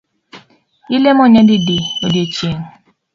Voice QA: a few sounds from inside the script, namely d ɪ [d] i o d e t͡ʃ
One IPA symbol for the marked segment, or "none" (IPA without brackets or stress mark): d